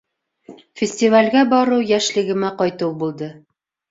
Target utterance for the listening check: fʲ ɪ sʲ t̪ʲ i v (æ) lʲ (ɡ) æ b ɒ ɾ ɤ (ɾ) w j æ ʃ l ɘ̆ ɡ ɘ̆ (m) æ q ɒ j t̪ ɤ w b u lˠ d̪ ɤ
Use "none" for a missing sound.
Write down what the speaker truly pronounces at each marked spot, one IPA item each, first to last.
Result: a, ɡ, none, m

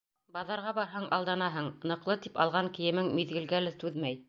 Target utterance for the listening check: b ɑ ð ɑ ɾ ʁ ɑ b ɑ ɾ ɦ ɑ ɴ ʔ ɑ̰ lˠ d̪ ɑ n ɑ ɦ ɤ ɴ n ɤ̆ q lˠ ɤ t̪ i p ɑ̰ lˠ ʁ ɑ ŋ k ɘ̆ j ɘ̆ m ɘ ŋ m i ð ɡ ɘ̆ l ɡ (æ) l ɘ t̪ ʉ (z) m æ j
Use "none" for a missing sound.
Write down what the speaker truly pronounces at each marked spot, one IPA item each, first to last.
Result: æ, ð

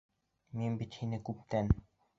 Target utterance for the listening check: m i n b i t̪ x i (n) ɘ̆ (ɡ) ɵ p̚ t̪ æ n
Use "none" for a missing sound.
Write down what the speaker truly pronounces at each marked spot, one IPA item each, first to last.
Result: n, k

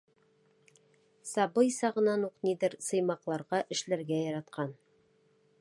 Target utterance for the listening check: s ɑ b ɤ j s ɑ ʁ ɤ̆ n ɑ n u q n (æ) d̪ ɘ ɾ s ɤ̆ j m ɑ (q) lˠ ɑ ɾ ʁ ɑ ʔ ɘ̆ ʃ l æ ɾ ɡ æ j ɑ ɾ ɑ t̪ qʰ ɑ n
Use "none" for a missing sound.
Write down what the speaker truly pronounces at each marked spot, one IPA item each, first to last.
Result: i, q

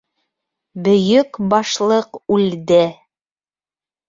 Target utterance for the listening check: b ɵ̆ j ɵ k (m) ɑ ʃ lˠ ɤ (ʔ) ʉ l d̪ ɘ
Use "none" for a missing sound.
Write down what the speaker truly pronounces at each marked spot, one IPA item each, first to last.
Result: b, q

